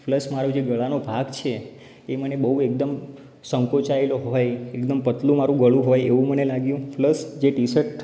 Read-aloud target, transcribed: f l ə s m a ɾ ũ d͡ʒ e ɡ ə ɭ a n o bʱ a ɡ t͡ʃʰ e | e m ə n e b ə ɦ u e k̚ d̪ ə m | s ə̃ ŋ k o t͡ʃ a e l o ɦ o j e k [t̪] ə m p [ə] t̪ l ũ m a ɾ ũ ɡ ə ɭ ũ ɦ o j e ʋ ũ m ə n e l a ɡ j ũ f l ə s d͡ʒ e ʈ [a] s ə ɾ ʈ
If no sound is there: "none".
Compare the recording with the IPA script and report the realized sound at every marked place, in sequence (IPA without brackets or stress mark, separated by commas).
d̪, ə, i